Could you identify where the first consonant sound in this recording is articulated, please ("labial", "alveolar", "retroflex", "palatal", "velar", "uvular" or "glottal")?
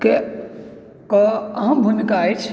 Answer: velar